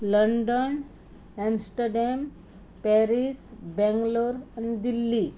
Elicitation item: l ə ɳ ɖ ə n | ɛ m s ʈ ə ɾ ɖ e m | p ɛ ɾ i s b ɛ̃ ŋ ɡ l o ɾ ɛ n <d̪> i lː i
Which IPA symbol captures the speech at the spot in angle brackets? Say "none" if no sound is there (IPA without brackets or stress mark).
d̪